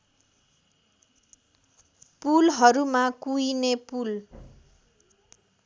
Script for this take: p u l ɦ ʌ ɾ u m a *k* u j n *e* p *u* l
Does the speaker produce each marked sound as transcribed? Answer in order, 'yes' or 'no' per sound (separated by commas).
yes, yes, yes